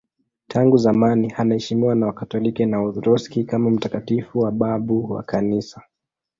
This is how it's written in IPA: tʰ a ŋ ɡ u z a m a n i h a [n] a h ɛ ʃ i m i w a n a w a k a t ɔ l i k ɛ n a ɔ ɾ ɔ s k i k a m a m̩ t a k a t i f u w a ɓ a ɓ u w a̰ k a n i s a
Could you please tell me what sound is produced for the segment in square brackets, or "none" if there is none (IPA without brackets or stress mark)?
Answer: n